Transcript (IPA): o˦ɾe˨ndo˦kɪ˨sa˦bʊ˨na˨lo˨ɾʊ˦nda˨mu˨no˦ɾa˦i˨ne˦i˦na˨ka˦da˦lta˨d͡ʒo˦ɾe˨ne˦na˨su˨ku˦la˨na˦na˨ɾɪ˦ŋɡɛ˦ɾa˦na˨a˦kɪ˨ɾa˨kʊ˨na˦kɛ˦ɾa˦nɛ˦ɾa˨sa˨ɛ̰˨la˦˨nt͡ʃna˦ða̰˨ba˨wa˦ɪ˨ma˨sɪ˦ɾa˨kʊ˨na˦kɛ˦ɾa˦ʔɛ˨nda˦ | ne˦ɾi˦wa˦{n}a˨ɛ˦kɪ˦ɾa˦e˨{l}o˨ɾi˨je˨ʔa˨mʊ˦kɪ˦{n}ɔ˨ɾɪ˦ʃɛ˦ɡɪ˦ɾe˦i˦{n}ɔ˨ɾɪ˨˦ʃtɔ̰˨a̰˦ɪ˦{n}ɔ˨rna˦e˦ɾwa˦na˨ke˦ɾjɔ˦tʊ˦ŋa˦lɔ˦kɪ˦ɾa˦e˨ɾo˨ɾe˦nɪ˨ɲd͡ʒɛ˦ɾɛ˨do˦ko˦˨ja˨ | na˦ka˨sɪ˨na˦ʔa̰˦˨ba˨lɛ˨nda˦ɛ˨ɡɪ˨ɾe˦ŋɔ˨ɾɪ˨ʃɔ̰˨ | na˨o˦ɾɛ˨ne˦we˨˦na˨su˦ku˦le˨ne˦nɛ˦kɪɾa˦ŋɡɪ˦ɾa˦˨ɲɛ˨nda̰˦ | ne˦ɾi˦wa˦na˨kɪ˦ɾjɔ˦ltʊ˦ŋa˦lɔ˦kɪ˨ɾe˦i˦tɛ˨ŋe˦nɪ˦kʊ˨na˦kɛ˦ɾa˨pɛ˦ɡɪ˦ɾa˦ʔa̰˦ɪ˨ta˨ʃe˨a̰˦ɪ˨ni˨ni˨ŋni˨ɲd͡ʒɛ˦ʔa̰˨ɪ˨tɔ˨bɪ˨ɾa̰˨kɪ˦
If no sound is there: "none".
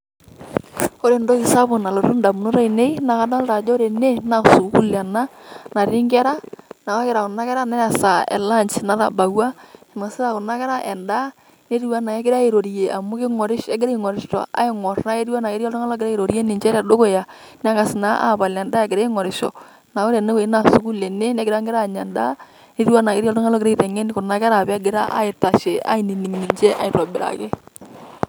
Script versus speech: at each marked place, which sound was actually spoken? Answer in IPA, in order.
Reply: n, ɾ, ŋ, ŋ, ŋ

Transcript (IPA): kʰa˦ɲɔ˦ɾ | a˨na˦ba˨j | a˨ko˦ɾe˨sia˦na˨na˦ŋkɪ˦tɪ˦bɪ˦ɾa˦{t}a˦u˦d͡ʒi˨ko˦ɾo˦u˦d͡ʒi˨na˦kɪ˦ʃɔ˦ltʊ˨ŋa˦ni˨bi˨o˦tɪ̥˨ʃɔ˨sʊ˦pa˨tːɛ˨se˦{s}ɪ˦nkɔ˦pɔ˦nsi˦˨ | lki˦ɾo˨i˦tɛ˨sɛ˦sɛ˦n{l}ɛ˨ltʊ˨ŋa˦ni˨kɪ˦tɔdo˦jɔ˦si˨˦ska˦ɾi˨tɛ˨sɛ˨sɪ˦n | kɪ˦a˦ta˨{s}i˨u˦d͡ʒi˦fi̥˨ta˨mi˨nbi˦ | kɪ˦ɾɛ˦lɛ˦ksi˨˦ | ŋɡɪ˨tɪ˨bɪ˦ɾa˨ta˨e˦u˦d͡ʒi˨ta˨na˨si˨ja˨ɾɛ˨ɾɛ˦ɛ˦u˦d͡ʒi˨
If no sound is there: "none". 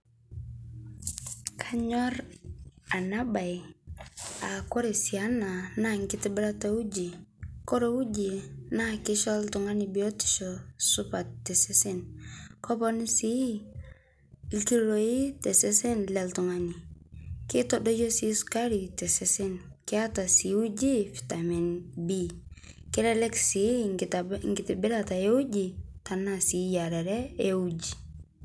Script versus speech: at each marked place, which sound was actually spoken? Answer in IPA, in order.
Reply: t, s, l, s

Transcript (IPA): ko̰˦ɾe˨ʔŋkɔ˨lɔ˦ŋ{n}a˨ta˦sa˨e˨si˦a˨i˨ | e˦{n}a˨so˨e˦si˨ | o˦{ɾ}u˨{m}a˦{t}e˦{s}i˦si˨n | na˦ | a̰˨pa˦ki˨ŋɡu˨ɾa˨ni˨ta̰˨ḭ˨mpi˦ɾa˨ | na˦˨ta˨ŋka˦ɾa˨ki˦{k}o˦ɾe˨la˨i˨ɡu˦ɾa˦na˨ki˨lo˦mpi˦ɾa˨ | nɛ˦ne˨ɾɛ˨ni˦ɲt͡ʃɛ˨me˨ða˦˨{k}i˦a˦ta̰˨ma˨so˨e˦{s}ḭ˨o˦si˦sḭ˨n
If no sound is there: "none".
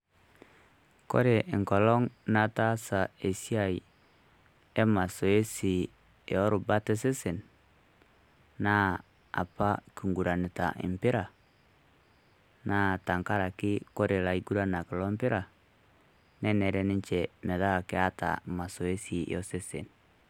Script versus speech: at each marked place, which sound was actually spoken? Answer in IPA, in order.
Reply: n, m, ɾ, b, t, s, k, k, s

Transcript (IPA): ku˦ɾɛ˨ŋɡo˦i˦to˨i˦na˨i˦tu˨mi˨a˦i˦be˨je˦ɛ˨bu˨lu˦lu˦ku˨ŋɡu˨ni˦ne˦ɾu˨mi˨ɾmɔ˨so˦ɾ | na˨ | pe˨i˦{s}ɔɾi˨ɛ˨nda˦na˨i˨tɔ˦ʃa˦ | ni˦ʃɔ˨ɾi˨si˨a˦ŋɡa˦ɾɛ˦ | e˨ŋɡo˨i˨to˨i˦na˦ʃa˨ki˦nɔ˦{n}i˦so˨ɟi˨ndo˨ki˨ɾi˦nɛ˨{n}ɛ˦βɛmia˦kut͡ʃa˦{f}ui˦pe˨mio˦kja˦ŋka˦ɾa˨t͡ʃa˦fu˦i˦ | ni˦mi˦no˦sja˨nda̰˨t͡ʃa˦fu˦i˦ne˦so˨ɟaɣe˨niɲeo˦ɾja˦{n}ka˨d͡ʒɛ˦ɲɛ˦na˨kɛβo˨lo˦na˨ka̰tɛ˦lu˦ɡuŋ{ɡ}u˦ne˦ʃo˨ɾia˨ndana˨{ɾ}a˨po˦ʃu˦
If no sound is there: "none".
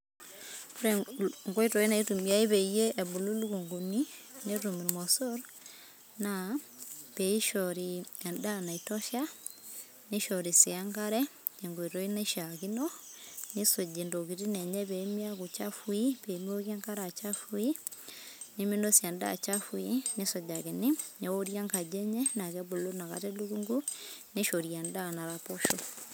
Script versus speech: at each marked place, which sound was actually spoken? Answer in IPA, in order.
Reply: ʃ, n, ɲ, f, ŋ, ɡ, ɾ

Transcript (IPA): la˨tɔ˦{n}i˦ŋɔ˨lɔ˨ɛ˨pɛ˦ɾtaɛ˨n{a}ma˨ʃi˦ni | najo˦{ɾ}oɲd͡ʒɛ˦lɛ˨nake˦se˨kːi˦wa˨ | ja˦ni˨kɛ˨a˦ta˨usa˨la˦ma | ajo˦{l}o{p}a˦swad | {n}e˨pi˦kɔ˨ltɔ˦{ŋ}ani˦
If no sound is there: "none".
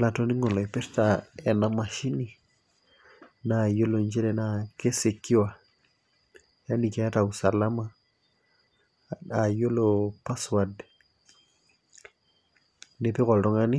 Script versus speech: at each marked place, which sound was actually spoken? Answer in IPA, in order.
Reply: n, a, l, l, p, n, ŋ

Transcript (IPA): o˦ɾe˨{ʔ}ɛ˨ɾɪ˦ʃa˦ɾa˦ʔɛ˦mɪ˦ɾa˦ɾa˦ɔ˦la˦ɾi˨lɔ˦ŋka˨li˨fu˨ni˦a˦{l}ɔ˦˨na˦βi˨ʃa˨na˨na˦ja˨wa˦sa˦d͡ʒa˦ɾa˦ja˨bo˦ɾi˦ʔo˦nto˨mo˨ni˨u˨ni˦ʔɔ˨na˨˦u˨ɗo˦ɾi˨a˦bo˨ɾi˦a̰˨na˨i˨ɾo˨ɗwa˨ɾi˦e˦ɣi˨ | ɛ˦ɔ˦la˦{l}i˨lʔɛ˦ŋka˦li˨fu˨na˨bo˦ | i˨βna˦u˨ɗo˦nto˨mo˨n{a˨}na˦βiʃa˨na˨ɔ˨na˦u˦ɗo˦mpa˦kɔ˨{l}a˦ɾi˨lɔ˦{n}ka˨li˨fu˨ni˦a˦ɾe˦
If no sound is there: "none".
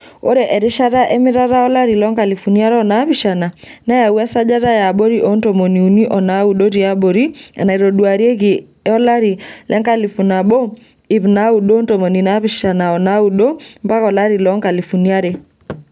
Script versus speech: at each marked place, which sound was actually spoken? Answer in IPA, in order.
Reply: ʔ, ɾ, ɾ, i˨, l, ŋ

